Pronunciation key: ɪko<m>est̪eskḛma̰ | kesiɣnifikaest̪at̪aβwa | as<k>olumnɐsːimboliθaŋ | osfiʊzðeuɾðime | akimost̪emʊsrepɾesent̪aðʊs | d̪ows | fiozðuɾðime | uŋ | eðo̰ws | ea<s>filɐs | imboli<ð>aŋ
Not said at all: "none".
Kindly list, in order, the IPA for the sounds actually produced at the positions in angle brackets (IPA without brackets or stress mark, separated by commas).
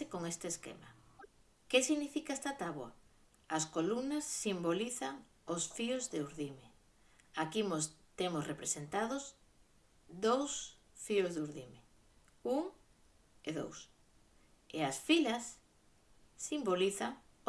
ŋ, k, s, θ